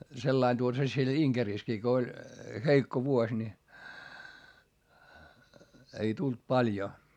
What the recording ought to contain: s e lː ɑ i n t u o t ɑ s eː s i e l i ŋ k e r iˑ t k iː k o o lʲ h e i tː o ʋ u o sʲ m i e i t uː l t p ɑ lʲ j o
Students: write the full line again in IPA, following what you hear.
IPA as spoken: s e lː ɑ i n t u o t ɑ s e s i e l i ŋ k e r iˑ s k iː k o o lʲ h e i kː o ʋ u o sʲ n i e i t u l t p ɑ lʲ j o